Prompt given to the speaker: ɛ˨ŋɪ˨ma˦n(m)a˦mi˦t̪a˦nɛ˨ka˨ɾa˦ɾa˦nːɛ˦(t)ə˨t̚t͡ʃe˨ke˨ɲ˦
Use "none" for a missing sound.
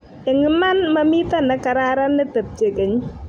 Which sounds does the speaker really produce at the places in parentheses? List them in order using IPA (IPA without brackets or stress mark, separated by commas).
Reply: m, t